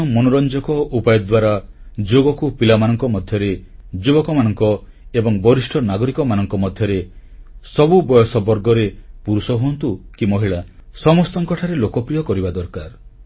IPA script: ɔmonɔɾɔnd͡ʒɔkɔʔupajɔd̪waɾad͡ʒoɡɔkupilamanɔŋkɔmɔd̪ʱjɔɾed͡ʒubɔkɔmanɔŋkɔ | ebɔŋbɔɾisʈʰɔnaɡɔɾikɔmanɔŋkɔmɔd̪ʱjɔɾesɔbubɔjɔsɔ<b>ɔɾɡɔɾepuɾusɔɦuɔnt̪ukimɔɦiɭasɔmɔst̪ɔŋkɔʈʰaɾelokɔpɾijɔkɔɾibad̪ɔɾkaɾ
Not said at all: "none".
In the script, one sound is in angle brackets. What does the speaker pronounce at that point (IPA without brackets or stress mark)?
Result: b